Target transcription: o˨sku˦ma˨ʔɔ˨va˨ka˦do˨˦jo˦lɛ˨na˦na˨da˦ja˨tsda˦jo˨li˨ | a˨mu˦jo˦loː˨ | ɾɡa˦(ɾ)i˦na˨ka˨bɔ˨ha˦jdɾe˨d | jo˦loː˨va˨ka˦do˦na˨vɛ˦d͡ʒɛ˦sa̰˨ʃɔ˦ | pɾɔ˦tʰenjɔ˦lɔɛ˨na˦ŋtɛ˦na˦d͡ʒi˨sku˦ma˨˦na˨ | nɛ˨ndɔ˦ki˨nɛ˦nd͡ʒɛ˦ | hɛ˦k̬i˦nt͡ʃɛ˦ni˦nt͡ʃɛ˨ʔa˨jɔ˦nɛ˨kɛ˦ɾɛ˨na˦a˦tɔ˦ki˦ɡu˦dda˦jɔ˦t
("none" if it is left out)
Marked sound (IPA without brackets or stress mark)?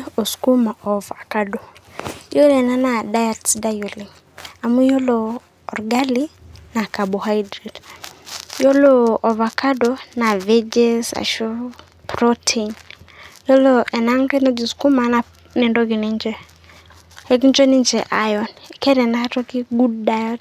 l